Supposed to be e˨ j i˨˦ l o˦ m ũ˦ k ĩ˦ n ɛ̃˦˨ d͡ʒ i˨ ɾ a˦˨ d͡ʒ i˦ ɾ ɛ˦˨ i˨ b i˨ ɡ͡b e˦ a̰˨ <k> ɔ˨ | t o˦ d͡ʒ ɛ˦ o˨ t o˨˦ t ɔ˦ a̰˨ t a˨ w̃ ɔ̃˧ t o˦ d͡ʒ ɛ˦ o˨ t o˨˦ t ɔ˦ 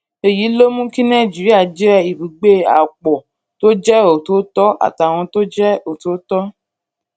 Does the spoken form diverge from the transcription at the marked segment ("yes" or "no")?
yes